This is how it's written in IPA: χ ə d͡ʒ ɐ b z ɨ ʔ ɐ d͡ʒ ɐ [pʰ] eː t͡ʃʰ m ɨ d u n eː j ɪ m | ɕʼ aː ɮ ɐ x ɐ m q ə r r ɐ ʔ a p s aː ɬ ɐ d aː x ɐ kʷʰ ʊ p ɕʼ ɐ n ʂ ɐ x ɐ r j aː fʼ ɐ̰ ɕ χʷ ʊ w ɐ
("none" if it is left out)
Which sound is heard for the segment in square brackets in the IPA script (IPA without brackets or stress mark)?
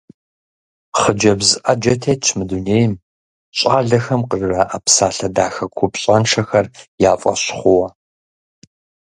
tʰ